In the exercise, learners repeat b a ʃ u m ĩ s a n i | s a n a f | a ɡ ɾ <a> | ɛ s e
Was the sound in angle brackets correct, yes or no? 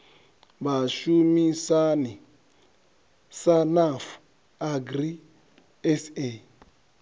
no